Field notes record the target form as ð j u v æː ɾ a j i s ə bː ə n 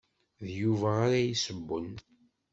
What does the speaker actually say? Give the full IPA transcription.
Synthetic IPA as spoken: ð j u v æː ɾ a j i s ə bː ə n